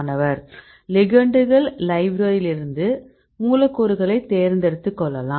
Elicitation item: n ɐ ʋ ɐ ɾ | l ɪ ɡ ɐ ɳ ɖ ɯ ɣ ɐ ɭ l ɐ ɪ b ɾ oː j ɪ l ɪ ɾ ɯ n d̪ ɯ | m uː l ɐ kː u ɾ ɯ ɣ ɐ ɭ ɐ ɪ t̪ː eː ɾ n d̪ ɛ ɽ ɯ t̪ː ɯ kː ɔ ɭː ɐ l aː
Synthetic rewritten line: n ɐ ʋ ɐ ɾ | l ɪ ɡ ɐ ɳ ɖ ɯ ɣ ɐ ɭ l ɐ ɪ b ɾ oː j ɪ l ɪ ɾ ɯ n d̪ ɯ | m uː l ɐ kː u ɾ ɯ ɣ ɐ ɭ ɐ ɪ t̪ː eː ɾ n d̪ ɛ ɽ ɯ t̪ː ɯ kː ɔ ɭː ɐ l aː